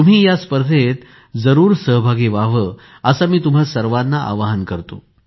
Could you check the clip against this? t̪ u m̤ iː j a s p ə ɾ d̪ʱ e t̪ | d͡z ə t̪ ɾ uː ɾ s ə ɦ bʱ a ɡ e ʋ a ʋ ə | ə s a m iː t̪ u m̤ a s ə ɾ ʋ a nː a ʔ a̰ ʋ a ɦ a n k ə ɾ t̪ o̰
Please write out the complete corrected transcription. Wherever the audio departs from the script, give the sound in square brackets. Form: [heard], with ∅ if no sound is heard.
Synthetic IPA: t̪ u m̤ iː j a s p ə ɾ d̪ʱ e t̪ | d͡z ə [∅] ɾ uː ɾ s ə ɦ bʱ a ɡ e ʋ a ʋ ə | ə s a m iː t̪ u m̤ a s ə ɾ ʋ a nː a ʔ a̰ ʋ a ɦ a n k ə ɾ t̪ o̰